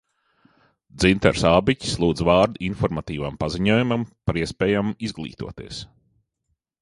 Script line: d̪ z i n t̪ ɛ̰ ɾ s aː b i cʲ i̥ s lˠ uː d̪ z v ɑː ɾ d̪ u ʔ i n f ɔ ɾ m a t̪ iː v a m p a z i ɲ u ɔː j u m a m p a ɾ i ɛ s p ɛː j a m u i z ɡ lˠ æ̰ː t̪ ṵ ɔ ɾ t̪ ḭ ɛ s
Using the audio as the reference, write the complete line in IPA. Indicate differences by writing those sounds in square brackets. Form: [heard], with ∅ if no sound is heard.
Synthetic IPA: d̪ z i n t̪ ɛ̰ ɾ s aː b i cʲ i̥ s lˠ uː d̪ z v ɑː ɾ d̪ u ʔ i n f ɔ ɾ m a t̪ iː v a m p a z i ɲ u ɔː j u m a m p a ɾ i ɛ s p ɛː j a m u i z ɡ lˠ [ḭː] t̪ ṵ ɔ [∅] t̪ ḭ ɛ s

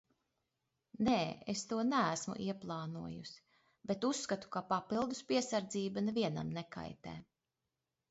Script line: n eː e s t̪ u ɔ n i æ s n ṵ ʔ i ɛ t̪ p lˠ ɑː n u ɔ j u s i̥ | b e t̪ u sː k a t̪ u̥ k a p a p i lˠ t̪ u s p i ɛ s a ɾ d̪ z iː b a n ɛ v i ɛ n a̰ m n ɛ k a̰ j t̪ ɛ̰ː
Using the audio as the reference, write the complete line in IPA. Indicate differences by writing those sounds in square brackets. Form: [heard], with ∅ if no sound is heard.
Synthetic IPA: n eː e s t̪ u ɔ n [æ] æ s [m] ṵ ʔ i ɛ [∅] p lˠ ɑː n u ɔ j u s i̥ | b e t̪ u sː k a t̪ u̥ k a p a p i lˠ [d̪] u s p i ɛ s a ɾ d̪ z iː b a n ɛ v i ɛ n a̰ m n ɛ k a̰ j t̪ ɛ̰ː

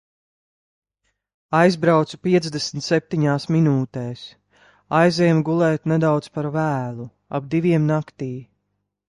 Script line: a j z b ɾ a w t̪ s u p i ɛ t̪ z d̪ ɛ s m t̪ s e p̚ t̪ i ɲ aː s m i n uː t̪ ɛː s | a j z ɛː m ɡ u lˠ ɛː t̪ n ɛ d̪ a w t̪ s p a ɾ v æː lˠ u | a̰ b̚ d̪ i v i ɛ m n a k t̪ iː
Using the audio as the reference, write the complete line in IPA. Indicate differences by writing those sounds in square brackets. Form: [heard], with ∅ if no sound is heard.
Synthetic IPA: a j z b ɾ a w t̪ s u p i ɛ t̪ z d̪ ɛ s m t̪ s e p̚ t̪ i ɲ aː s m i n uː t̪ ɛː s | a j z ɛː m ɡ u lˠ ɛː t̪ n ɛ d̪ a w t̪ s p a ɾ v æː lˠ u | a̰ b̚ d̪ i v i ɛ m n a k t̪ iː

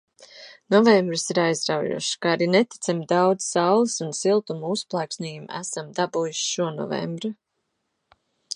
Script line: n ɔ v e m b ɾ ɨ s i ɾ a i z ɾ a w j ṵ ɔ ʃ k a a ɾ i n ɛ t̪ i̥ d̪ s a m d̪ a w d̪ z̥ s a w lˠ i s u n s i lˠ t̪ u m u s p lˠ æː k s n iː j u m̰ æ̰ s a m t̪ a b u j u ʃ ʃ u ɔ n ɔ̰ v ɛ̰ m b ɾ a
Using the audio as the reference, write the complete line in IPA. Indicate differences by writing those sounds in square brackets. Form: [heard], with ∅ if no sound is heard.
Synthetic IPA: n ɔ v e m b ɾ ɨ s i ɾ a [j] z ɾ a w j ṵ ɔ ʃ k a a ɾ i n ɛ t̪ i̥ [t̪] s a m d̪ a w d̪ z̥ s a w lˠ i s u n s i lˠ t̪ u m u s p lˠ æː k s n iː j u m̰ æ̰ s a m [d̪] a b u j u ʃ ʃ u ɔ n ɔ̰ v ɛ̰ m b ɾ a

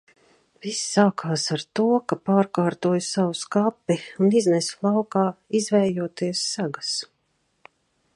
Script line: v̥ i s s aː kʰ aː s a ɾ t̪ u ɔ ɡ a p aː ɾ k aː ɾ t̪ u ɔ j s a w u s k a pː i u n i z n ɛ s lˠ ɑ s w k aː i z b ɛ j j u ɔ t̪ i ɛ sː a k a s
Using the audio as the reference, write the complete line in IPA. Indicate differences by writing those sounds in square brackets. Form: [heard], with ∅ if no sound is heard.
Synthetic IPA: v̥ i s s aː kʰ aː s a ɾ t̪ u ɔ [k] a p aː ɾ k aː ɾ t̪ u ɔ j s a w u s k a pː i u n i z n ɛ s lˠ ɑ [∅] w k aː i z [v] ɛ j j u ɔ t̪ i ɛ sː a [ɡ] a s

